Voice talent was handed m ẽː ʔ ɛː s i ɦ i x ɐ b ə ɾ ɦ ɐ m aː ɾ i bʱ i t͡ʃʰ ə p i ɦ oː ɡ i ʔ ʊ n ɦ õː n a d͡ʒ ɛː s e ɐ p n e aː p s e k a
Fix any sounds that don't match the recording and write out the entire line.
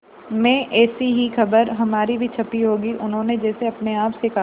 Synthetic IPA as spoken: m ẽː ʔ ɛː s i ɦ i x ɐ b ə ɾ ɦ ɐ m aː ɾ i bʱ i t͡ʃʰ ɐ p i ɦ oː ɡ i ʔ ʊ n ɦ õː n e d͡ʒ ɛː s e ɐ p n e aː p s e k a

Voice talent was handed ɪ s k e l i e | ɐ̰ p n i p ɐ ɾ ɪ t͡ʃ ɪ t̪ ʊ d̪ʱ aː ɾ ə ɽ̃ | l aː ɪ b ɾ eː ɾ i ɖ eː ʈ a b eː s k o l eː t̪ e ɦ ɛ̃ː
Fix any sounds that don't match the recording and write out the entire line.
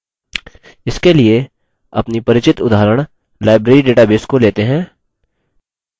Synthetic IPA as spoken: ɪ s k e l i e | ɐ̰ p n i p ɐ ɾ ɪ t͡ʃ ɪ t̪ ʊ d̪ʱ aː ɾ ə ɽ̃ | l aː ɪ b ɾ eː ɾ i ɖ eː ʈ a b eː s k o l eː t̪ e ɦ ɛ̃ː

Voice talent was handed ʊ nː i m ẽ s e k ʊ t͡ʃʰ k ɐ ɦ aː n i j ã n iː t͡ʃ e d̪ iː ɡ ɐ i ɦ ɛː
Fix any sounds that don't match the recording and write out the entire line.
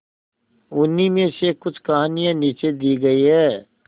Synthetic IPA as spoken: ʊ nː i m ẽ s e k ʊ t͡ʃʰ k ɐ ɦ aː n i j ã n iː t͡ʃ e d̪ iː ɡ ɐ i ɦ ɛː

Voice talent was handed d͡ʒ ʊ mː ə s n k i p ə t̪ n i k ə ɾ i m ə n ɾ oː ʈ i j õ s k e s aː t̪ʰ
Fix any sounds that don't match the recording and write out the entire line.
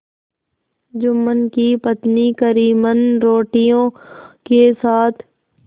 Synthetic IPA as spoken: d͡ʒ ʊ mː ə n k i p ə t̪ n i k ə ɾ iː m ə n ɾ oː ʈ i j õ k e s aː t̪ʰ

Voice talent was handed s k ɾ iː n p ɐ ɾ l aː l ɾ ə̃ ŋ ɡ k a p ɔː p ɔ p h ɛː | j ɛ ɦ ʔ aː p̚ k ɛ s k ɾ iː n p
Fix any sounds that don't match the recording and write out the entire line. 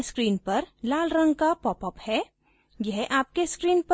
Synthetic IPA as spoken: s k ɾ iː n p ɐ ɾ l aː l ɾ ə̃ ŋ ɡ k a p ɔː p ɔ p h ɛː | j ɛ ɦ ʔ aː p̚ k e s k ɾ iː n p

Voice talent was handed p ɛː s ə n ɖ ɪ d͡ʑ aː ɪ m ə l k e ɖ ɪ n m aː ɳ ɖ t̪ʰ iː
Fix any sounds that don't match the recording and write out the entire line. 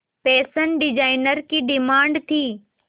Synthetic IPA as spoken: p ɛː s ə n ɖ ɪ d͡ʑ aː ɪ n ə ɾ k i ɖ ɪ m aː ɳ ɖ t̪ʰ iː

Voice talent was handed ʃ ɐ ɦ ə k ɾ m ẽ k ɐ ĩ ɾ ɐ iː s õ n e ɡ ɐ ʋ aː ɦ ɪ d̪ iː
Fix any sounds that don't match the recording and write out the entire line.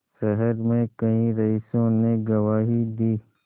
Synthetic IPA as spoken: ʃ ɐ ɦ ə ɾ m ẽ k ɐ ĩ ɾ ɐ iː s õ n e ɡ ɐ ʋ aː ɦ i d̪ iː

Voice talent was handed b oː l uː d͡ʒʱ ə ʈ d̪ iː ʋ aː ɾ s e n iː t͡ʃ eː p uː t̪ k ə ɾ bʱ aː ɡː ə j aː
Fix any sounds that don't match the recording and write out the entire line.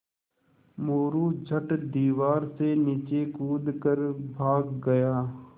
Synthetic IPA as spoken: m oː ɾ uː d͡ʒʱ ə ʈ d̪ iː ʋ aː ɾ s e n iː t͡ʃ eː k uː d̪ k ə ɾ bʱ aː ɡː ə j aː

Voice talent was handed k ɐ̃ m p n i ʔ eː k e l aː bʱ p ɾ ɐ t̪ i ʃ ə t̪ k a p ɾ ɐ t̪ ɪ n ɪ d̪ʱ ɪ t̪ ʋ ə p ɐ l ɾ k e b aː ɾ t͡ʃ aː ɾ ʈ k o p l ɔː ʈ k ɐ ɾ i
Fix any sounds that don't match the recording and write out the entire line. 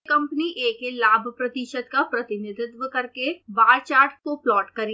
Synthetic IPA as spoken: k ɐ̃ m p n i ʔ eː k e l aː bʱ p ɾ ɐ t̪ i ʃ ə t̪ k a p ɾ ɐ t̪ ɪ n ɪ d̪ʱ ɪ t̪ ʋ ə k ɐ ɾ k e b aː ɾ t͡ʃ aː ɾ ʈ k o p l ɔː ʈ k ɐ ɾ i

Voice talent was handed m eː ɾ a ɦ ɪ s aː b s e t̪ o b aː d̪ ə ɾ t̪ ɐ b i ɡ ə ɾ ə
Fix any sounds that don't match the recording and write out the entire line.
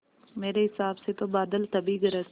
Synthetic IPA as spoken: m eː ɾ e ɦ ɪ s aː b s e t̪ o b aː d̪ ə l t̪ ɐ b i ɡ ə ɾ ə

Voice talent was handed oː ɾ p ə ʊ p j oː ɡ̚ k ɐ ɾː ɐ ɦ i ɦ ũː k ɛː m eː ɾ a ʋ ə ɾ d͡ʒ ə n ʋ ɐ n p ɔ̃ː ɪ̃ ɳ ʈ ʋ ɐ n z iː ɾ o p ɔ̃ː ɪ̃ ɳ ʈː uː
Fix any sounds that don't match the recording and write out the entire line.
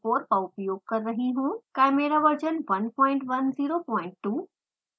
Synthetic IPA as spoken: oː ɾ p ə ʊ p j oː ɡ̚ k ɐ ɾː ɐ ɦ i ɦ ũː k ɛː m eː ɾ a ʋ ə ɾ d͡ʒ ə n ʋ ɐ n p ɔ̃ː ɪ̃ ɳ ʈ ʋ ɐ n z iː ɾ o p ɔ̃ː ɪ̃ ɳ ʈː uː

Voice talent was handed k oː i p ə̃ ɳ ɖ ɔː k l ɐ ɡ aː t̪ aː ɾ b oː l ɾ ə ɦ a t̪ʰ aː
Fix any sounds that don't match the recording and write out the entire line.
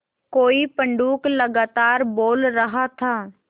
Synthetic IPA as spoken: k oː i p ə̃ ɳ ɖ uː k l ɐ ɡ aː t̪ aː ɾ b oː l ɾ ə ɦ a t̪ʰ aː

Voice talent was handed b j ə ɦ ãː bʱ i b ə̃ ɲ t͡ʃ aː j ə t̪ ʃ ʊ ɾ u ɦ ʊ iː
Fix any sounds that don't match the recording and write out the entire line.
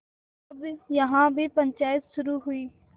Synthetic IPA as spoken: b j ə ɦ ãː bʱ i p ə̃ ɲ t͡ʃ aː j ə t̪ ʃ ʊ ɾ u ɦ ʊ iː

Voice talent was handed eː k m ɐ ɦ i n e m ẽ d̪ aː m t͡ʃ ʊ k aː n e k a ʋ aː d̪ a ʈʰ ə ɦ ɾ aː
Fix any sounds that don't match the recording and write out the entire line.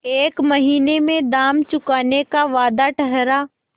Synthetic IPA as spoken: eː k m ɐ ɦ iː n e m ẽ d̪ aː m t͡ʃ ʊ k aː n e k a ʋ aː d̪ a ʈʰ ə ɦ ɾ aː

